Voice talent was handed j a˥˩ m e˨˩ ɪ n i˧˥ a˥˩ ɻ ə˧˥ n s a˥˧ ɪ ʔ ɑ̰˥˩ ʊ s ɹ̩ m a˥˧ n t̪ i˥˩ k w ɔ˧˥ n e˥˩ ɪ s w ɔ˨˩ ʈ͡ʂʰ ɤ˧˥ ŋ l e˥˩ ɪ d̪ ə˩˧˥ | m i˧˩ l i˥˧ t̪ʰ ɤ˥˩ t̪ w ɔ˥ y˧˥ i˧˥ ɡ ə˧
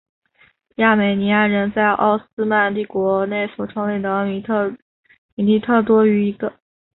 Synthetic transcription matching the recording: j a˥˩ m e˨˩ ɪ n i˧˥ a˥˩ ɻ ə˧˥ n t͡s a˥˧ ɪ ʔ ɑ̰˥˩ ʊ s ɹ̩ m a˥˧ n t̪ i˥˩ k w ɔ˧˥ n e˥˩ ɪ s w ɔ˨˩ ʈ͡ʂʰ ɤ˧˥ ŋ l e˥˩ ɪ d̪ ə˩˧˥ | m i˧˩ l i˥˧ t̪ʰ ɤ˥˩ t̪ w ɔ˥ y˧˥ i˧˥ ɡ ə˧